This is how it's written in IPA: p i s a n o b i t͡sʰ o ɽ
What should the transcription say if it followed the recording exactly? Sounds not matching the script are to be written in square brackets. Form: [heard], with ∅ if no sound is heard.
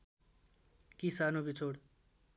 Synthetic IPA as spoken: [k] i s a n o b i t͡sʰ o ɽ